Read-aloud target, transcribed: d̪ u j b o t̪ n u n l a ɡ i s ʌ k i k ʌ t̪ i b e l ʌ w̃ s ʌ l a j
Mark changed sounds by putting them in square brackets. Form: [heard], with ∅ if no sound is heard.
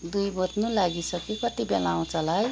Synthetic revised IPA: d̪ u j b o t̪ n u [∅] l a ɡ i s ʌ k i k ʌ t̪ i b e l [a] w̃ [t͡s] ʌ l a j

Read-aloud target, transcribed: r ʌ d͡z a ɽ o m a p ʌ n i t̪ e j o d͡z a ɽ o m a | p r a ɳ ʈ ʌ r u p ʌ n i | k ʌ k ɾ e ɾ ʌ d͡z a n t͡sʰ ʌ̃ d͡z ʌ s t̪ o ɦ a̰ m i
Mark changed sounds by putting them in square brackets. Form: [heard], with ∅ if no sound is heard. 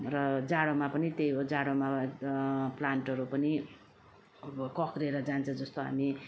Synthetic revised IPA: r ʌ d͡z a ɽ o m a p ʌ n i t̪ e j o d͡z a ɽ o m a | p [l] a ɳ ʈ ʌ [ɾ] u p ʌ n i | k ʌ k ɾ e ɾ ʌ d͡z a n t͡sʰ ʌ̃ d͡z ʌ s t̪ o ɦ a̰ m i

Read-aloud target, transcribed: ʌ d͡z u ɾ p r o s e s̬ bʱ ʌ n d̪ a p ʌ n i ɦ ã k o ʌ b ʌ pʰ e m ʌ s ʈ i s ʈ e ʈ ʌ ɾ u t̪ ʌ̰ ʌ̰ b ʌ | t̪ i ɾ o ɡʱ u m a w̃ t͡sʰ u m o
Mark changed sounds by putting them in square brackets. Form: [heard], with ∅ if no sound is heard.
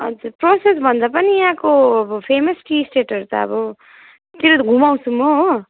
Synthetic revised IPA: ʌ d͡z u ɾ p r o s e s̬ bʱ ʌ n d̪ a p ʌ n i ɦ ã k o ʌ b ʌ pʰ e m ʌ s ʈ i s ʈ e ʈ ʌ ɾ u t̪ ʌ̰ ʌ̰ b ʌ | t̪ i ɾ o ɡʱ u m a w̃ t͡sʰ u m o

